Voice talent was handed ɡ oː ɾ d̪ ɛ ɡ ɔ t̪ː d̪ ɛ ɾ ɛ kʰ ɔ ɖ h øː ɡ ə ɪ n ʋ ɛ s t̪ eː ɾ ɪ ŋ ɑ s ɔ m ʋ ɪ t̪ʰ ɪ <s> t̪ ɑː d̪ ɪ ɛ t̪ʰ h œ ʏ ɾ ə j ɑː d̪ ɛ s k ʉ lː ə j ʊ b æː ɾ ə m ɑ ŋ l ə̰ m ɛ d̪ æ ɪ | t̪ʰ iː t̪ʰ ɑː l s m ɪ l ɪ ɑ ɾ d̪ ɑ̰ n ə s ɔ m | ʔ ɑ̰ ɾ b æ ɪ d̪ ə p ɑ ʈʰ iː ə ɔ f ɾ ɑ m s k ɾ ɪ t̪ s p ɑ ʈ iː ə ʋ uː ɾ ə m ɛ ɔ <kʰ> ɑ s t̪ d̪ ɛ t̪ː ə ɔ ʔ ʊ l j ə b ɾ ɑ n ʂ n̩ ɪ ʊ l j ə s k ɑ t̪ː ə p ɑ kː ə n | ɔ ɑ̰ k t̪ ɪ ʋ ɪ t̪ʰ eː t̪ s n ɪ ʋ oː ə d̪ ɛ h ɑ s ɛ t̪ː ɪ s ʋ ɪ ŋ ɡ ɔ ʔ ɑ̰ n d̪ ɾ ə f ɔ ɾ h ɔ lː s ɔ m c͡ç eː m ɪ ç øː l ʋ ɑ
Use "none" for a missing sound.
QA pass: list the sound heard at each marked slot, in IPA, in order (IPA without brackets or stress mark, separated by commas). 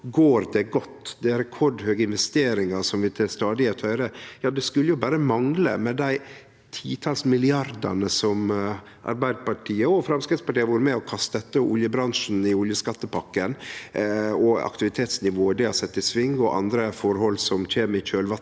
s, kʰ